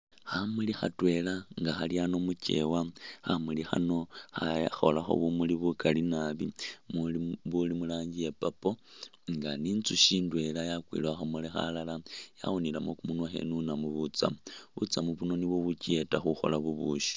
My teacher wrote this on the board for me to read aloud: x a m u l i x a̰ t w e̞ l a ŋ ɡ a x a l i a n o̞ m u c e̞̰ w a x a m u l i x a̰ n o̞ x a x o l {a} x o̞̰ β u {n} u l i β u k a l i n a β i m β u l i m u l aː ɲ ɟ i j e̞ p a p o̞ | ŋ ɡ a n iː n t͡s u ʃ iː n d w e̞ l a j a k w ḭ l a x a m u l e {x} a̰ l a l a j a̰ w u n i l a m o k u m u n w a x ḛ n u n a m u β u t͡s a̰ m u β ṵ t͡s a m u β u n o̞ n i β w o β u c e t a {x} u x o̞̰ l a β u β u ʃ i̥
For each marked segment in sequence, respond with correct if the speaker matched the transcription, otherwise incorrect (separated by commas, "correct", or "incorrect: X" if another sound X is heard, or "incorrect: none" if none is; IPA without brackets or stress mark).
correct, incorrect: m, correct, correct